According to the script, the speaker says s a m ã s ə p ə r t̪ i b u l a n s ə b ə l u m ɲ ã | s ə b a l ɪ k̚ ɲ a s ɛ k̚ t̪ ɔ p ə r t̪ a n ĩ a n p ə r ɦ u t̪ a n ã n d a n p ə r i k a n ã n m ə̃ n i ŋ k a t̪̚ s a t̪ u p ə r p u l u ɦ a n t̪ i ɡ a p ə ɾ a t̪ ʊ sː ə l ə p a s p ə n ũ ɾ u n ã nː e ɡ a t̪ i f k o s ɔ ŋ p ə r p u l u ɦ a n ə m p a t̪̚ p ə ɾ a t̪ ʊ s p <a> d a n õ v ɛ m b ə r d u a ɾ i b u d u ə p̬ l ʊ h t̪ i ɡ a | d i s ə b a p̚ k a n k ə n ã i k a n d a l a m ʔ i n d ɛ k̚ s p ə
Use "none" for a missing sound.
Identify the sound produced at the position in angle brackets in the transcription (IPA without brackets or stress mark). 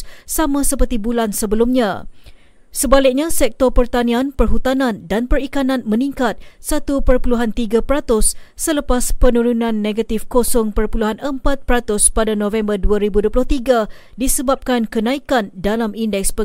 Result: a